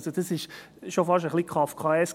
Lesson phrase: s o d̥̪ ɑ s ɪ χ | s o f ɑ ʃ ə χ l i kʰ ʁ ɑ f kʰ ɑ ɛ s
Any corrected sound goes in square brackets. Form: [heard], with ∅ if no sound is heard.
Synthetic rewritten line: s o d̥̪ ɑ s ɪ [ʃ] | [ʃ] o f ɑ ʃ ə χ l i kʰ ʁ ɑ f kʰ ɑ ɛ s